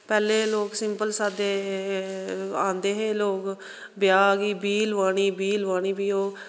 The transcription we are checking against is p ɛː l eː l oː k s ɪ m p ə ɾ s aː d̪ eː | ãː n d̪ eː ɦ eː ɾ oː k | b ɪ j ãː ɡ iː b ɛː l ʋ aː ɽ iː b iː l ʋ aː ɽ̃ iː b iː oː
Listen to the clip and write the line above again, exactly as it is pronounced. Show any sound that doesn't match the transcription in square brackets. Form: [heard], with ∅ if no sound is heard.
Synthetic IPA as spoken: p ɛː l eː l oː k s ɪ m p ə [l] s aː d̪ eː | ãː n d̪ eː ɦ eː [l] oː k | b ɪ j [aː] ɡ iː b [iː] l ʋ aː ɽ iː b iː l ʋ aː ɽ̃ iː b iː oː